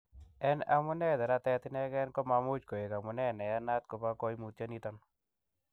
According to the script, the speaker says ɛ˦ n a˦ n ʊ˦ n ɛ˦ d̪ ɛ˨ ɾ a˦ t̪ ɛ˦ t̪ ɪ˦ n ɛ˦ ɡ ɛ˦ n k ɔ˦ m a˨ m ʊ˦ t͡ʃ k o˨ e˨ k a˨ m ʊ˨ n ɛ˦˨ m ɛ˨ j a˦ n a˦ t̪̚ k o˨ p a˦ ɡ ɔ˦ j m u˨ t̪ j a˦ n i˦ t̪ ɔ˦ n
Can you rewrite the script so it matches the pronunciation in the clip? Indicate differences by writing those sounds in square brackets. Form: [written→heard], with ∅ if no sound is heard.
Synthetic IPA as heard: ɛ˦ n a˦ [n→m] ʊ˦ n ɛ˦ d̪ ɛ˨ ɾ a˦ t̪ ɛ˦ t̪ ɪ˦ n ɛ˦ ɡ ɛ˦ n k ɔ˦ m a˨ m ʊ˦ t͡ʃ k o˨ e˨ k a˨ m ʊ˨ n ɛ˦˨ [m→n] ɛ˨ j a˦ n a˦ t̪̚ k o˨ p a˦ [ɡ→k] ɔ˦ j m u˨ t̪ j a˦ n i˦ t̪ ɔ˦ n